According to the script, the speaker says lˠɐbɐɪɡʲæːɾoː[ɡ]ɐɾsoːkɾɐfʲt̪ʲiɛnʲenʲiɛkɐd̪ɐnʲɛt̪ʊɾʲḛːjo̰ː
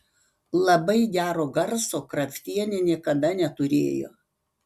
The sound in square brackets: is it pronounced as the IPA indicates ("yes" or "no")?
yes